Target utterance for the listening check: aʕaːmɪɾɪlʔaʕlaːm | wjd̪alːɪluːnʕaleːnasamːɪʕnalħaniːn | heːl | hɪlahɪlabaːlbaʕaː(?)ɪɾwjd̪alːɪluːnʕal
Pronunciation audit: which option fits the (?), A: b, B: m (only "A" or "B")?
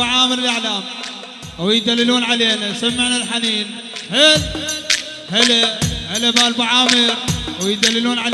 B